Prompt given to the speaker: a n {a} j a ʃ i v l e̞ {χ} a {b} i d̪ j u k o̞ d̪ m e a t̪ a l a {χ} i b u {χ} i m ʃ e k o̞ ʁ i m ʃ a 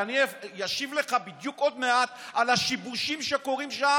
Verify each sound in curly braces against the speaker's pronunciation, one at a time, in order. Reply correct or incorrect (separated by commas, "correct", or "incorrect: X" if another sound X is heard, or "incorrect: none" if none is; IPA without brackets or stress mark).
incorrect: i, correct, correct, incorrect: ʃ, incorrect: ʃ